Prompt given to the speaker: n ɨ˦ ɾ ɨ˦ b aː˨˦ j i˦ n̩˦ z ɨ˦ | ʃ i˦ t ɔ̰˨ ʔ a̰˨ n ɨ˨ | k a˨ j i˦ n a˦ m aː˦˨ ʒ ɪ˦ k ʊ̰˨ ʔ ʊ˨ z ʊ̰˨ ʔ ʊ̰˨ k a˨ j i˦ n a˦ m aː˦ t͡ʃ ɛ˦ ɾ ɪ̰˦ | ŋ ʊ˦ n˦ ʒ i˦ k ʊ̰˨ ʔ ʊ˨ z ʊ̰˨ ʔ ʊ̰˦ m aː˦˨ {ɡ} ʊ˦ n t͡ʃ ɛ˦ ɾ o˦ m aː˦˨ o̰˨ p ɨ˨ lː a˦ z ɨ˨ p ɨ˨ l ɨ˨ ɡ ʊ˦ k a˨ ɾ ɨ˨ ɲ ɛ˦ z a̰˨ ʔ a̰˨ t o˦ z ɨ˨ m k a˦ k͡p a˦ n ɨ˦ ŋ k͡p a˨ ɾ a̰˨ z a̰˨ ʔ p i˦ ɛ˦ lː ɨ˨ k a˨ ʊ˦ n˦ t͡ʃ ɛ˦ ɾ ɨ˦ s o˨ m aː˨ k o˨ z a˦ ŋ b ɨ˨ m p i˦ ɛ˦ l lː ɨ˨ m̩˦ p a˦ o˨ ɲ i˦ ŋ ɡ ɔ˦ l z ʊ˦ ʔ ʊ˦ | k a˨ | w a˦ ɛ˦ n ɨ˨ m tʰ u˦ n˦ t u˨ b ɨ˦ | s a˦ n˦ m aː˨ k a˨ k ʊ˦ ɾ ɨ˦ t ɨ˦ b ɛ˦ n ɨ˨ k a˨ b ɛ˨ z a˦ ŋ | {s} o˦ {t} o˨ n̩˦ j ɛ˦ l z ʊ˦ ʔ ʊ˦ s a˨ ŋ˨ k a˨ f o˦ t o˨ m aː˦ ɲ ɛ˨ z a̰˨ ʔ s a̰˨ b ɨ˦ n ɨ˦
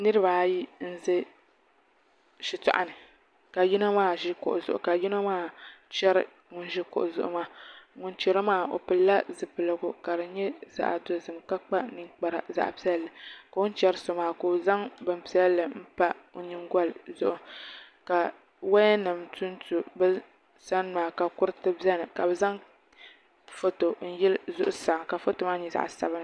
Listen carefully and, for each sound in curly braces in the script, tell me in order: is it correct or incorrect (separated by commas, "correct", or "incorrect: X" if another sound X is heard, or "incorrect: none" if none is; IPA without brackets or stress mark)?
incorrect: ŋ, incorrect: f, correct